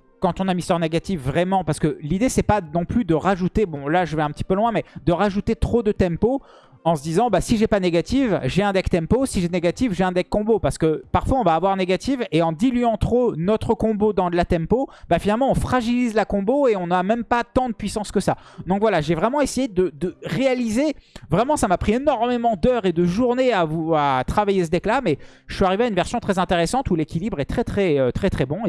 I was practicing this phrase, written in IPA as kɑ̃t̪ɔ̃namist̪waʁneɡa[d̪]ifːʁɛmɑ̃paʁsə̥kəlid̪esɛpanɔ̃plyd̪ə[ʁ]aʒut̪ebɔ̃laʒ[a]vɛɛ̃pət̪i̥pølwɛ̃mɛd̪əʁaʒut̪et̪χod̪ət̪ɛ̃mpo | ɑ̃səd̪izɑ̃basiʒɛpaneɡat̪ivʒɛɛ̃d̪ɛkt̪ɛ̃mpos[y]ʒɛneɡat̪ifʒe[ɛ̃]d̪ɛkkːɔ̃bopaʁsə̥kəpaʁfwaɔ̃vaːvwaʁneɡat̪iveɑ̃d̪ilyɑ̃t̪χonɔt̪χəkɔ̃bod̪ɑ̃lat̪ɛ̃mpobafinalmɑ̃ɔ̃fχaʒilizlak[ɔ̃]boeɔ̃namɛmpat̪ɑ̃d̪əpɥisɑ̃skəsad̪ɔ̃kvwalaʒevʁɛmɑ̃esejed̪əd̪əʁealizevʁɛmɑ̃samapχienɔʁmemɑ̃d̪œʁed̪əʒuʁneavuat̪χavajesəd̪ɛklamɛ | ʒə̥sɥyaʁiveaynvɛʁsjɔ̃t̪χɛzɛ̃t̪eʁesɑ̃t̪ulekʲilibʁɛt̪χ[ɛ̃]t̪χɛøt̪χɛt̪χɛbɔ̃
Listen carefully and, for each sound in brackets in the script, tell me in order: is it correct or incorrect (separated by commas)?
incorrect, correct, incorrect, incorrect, correct, correct, incorrect